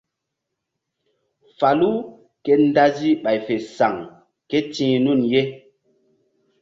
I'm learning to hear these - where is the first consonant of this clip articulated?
lips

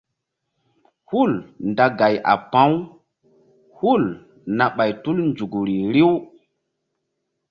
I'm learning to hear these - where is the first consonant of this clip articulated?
throat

